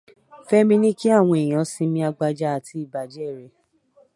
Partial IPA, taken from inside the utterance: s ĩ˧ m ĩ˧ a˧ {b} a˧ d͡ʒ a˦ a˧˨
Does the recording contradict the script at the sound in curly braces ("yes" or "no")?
yes